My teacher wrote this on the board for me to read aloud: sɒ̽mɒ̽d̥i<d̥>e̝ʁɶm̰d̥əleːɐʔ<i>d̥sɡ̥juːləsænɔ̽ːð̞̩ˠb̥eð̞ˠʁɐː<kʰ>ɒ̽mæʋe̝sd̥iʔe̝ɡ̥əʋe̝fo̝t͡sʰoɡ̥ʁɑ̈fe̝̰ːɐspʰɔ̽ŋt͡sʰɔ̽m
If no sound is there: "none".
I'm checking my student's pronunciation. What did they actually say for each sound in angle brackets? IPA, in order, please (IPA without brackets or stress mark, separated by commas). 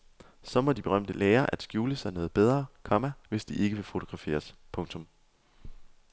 b̥, æ, kʰ